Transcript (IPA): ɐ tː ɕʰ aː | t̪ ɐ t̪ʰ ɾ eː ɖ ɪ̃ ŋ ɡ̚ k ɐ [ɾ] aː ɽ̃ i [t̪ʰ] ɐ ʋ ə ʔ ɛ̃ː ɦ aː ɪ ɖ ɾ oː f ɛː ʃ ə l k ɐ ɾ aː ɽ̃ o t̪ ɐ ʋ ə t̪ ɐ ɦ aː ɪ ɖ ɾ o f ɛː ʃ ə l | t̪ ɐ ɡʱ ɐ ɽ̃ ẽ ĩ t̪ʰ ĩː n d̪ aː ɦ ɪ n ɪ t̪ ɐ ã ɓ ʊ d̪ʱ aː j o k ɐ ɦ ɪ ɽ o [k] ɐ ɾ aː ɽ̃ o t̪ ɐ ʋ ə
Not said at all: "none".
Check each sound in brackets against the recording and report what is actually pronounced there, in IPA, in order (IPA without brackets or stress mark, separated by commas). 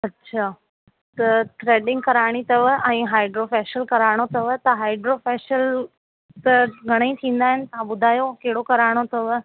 ɾ, t̪, k